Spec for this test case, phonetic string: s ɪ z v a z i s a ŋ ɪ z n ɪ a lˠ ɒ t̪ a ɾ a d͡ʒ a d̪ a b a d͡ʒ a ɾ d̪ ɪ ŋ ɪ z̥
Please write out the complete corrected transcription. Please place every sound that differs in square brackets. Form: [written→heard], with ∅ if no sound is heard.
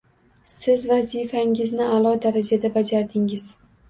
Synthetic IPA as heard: s ɪ z v a z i [s→f] a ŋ ɪ z n ɪ a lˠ ɒ [t̪→d̪] a ɾ a d͡ʒ a d̪ a b a d͡ʒ a ɾ d̪ ɪ ŋ ɪ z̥